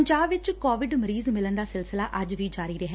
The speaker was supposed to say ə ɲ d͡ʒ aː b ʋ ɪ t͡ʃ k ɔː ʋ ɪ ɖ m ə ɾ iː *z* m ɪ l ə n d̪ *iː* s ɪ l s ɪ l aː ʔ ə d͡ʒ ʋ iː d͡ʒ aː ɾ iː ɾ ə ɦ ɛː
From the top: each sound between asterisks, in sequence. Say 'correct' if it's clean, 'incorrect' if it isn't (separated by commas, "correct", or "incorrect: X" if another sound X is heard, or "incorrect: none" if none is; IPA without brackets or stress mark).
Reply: correct, incorrect: aː